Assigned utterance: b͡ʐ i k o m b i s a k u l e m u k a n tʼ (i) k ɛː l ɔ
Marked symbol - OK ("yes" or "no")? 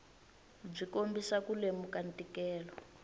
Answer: yes